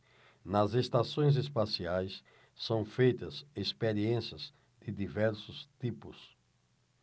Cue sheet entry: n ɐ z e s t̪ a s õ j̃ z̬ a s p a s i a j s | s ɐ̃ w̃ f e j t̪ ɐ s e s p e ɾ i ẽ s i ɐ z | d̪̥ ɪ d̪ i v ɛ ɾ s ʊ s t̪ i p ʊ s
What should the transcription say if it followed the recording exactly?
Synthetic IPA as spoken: n ɐ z e s t̪ a s õ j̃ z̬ e s p a s i a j s | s ɐ̃ w̃ f e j t̪ ɐ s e s p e ɾ i ẽ s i ɐ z | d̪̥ ɪ d̪ i v ɛ ɾ s ʊ s t̪ i p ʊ s